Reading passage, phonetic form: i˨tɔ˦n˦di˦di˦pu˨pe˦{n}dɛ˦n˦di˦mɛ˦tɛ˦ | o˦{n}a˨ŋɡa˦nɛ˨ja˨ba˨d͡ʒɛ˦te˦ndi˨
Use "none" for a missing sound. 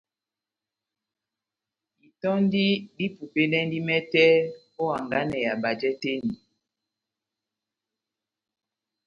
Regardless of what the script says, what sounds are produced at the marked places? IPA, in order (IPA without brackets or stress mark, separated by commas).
n, none